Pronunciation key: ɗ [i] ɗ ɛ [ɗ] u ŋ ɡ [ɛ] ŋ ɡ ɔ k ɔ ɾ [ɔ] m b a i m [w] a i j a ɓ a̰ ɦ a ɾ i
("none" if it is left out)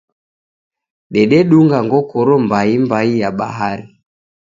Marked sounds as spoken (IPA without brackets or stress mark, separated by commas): ɛ, ɗ, a, ɔ, b